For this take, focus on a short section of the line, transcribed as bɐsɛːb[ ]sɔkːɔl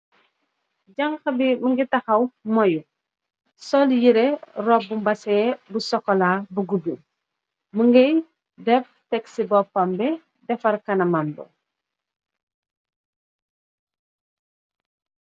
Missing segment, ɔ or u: u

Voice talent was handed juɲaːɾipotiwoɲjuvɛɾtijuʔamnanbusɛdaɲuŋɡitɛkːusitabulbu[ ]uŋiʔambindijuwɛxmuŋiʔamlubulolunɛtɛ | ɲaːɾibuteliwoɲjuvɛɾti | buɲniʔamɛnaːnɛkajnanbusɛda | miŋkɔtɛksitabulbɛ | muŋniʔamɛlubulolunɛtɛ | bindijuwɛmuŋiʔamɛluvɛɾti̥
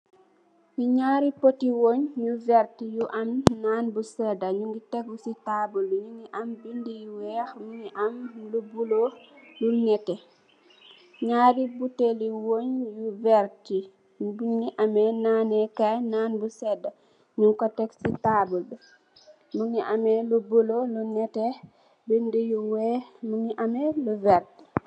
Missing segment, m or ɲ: ɲ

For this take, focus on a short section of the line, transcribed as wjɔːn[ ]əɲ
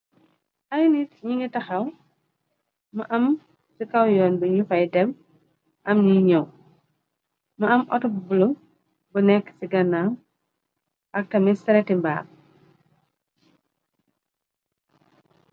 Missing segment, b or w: b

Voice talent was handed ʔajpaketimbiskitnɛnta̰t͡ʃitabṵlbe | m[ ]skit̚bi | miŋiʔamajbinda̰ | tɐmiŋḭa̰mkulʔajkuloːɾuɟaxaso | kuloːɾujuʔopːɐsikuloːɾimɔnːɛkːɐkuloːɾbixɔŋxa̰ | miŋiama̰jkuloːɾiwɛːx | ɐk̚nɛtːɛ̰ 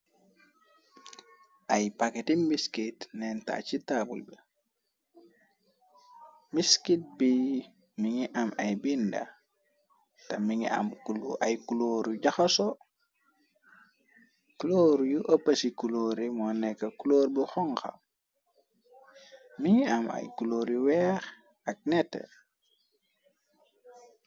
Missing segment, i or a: i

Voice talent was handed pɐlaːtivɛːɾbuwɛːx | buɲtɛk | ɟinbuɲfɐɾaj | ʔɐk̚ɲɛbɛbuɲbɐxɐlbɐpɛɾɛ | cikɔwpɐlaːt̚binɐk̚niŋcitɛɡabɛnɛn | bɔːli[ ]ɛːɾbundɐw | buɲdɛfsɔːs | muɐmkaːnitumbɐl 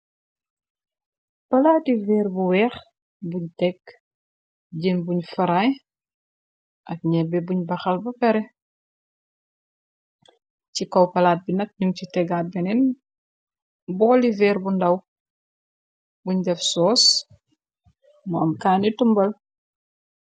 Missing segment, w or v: v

